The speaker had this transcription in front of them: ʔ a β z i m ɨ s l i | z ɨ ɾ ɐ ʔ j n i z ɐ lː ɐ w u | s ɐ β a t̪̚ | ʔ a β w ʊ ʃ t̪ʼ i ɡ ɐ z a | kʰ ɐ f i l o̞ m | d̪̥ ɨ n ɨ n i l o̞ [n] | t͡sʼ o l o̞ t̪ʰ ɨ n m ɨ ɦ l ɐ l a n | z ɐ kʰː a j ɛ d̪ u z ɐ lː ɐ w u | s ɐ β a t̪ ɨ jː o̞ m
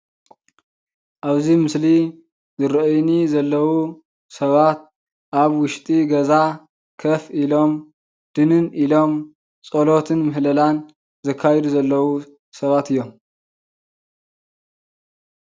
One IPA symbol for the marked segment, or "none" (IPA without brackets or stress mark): m